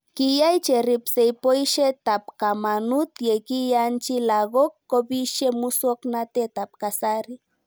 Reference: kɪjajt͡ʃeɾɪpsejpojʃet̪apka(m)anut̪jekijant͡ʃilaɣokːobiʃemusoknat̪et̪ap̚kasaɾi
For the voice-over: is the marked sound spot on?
yes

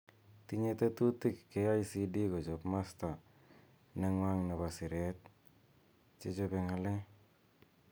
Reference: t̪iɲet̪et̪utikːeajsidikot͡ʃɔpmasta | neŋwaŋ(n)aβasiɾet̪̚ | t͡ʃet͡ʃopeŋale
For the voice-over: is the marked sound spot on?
yes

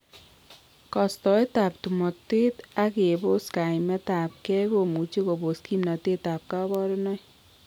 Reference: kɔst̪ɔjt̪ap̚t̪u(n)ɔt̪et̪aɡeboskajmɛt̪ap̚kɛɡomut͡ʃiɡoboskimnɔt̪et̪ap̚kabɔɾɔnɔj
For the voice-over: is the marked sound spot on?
no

